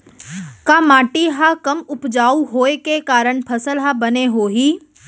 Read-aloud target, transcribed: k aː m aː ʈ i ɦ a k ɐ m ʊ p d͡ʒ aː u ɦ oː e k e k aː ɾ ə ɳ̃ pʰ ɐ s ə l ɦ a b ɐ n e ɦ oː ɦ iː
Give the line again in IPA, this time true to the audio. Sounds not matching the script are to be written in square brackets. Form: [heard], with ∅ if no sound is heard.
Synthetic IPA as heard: k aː m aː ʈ i ɦ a k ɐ m ʊ p d͡ʒ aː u ɦ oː e k e k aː ɾ ə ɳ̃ pʰ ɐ s ə l ɦ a b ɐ n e ɦ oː ɦ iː